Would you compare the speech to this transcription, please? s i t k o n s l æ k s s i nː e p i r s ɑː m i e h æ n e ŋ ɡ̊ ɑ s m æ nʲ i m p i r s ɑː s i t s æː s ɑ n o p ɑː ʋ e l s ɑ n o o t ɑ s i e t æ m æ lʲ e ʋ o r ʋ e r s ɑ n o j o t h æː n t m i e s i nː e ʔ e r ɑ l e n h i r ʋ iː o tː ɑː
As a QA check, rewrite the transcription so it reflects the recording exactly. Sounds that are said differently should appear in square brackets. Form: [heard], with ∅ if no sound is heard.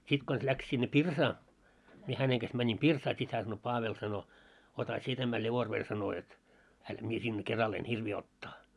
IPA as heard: s i t k o n s l æ k s s i nː e p i r s ɑː m i e h æ n e ŋ ɡ̊ ɑ s m æ nʲ i m p i r s ɑː s i t [h] æː s ɑ n o p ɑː ʋ e l s ɑ n o o t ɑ s i e t æ m æ lʲ e ʋ o r ʋ e r s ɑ n o j o t h [æ] n t m i e s i nː e [k] e r ɑ l e n h i r ʋ iː o tː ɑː